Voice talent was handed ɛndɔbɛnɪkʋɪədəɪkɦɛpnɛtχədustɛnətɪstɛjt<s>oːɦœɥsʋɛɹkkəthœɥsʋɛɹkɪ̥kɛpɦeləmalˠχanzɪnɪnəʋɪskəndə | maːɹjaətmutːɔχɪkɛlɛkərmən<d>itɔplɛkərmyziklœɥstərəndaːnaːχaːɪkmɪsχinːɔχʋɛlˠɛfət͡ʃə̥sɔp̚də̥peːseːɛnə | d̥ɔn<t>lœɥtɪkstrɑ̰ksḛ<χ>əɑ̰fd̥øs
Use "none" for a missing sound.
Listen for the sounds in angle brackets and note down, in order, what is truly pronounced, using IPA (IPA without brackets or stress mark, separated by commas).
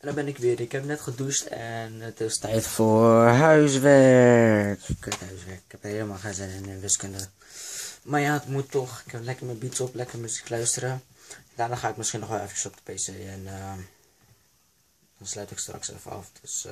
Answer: f, b, s, f